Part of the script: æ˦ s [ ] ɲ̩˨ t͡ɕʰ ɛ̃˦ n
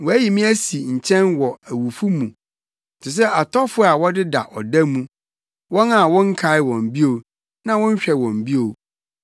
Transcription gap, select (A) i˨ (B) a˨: A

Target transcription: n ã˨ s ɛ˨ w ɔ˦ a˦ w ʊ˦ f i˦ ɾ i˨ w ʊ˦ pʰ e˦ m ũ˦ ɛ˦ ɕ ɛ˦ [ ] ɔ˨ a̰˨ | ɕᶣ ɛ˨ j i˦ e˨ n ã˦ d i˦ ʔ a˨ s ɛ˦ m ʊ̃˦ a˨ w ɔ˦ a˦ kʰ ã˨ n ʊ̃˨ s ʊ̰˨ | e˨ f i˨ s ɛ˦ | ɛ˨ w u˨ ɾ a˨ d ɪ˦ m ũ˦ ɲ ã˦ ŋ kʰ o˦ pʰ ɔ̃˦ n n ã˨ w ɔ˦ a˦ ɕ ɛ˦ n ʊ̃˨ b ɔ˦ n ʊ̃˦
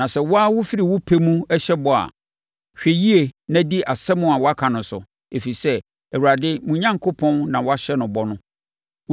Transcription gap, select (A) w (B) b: B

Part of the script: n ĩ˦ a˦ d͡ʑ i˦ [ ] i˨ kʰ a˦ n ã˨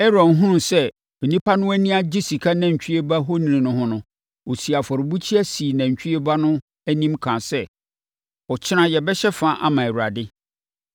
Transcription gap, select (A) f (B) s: B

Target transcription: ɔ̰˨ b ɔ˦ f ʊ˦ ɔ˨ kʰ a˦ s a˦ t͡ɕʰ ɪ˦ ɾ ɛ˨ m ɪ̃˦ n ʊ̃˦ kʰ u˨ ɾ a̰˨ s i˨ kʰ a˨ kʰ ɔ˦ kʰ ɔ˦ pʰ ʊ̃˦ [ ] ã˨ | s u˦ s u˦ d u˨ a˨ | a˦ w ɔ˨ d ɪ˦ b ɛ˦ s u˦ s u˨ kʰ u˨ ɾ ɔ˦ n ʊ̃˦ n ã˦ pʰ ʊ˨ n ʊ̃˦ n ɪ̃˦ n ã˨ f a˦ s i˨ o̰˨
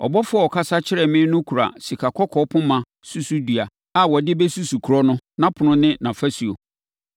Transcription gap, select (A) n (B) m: B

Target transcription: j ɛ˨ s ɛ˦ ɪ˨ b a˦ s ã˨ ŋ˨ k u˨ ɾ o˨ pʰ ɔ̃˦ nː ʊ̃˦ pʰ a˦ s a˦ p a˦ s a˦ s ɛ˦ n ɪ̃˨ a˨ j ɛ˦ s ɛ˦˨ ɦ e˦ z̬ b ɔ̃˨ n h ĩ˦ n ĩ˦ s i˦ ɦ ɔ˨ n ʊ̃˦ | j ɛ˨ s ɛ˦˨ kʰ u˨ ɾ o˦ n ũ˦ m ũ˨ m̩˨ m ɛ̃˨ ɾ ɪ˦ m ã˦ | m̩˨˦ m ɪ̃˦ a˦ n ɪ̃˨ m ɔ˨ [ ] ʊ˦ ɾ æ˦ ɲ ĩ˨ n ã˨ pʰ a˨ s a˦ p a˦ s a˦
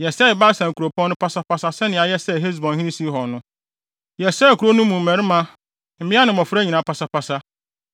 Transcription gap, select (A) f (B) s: A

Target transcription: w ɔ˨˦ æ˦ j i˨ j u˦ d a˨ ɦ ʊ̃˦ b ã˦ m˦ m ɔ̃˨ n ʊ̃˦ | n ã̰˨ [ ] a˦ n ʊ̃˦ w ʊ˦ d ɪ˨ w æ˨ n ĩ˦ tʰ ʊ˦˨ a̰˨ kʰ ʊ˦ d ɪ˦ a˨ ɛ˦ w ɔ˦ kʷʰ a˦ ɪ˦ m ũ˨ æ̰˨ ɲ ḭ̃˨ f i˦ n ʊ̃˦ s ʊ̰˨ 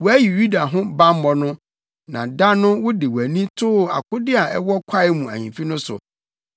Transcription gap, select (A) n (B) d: B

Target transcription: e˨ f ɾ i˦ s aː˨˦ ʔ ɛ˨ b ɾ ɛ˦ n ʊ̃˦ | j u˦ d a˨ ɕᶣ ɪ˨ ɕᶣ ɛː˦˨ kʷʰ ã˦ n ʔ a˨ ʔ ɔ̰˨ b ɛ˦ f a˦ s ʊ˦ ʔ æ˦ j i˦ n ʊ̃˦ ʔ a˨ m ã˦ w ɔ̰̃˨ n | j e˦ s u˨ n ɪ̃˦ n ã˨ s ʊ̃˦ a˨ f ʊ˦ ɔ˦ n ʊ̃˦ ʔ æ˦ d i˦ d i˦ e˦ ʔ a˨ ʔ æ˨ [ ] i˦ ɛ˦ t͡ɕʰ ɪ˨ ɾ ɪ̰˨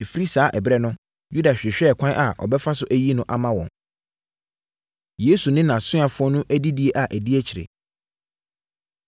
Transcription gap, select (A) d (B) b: A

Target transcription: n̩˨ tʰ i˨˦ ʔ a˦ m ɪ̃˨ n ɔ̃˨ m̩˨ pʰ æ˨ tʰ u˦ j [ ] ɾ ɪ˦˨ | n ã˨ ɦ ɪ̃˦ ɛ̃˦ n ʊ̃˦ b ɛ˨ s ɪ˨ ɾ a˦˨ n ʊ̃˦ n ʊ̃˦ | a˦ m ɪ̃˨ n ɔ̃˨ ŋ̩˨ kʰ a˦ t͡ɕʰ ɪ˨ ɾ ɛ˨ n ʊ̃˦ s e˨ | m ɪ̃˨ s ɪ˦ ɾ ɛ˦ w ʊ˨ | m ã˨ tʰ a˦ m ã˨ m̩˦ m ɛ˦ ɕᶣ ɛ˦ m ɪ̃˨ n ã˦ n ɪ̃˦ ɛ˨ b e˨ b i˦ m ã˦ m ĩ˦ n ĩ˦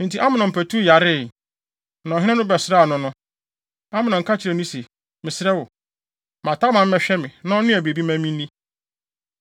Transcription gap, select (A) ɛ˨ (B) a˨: B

